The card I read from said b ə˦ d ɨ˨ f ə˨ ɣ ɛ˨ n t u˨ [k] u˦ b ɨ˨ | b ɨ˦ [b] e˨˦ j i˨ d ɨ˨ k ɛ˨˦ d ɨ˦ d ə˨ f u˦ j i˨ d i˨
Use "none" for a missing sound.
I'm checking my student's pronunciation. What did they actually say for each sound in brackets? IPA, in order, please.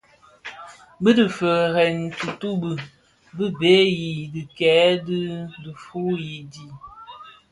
t, b

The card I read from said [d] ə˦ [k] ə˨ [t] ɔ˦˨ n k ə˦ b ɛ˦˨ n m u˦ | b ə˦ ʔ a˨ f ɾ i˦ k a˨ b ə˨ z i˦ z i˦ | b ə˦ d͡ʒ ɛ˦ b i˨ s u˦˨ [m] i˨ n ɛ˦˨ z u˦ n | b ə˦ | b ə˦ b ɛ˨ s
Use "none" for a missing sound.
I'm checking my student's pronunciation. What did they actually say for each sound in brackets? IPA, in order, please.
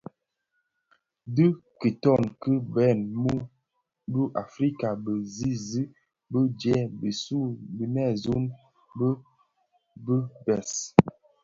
d, k, t, b

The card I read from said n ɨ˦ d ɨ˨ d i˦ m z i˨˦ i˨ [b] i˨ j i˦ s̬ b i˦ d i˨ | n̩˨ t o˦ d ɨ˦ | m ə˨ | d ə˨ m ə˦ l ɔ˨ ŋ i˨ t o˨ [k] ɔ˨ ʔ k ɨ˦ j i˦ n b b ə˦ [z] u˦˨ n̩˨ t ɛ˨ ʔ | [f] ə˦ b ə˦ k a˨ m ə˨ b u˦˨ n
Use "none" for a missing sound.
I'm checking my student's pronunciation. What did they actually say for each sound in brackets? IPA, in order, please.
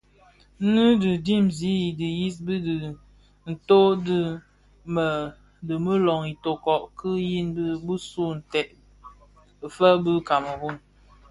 d, k, s, f

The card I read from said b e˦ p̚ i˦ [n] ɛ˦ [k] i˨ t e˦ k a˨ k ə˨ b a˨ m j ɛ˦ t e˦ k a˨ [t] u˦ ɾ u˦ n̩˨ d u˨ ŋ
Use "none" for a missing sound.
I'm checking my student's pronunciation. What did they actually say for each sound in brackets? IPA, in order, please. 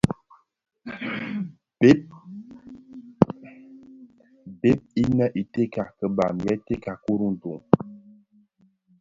n, ʔ, k

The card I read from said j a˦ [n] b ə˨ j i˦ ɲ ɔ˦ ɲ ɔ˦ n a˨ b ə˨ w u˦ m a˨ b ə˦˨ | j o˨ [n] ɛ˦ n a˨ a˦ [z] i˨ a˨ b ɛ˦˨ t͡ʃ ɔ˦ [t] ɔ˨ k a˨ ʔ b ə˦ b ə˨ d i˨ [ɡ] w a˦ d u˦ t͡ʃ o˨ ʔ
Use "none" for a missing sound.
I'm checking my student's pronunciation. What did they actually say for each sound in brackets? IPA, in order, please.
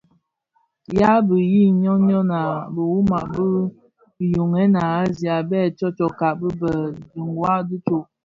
none, ŋ, z, t͡ʃ, ŋ

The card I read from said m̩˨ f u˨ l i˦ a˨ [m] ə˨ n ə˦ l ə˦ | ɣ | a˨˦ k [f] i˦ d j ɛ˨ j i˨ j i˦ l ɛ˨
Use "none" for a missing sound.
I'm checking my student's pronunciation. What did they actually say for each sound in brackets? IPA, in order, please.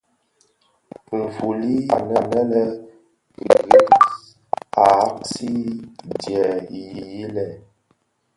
n, s

